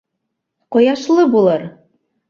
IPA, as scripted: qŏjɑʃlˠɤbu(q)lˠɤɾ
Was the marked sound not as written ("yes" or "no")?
yes